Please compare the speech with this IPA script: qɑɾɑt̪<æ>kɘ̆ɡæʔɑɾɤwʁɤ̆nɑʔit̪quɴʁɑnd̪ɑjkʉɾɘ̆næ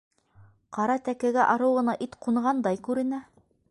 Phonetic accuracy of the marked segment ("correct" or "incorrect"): correct